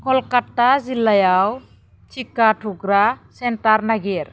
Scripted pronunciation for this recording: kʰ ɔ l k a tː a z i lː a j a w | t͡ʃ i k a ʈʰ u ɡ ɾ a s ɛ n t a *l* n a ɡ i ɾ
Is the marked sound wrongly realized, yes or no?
yes